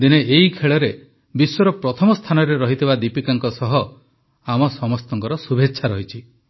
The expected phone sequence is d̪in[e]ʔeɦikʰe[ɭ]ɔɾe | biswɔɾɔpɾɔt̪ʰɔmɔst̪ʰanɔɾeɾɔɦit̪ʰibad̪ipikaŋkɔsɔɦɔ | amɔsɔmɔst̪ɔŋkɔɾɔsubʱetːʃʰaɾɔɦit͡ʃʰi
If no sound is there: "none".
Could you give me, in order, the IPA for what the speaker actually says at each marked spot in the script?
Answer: e, ɭ

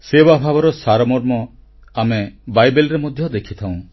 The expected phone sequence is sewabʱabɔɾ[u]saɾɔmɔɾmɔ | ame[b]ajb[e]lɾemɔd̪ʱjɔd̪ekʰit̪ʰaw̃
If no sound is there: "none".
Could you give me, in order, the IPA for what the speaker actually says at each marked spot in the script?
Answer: ɔ, b, e

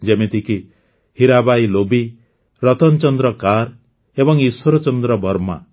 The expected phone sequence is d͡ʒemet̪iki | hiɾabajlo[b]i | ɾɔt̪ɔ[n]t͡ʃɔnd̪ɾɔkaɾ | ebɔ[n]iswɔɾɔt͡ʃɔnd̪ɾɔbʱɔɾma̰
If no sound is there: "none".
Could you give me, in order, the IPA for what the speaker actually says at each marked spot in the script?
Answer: b, n, ŋ

